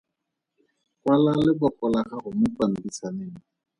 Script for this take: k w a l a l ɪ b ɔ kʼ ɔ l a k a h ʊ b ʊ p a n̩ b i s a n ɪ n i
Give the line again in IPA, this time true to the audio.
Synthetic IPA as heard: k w a l a l ɪ b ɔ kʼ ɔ l a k a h ʊ m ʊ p a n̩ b i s a n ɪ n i